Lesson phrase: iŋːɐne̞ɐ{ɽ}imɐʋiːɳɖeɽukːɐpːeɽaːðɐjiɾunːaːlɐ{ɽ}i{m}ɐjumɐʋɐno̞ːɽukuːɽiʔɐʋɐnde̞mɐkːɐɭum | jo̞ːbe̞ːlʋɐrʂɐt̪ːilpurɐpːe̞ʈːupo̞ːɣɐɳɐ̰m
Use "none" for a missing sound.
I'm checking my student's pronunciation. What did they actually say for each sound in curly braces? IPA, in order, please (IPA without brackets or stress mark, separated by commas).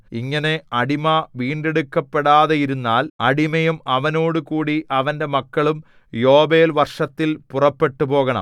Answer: ɽ, ɽ, m